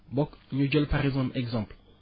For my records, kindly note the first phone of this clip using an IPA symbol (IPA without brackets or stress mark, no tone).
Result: b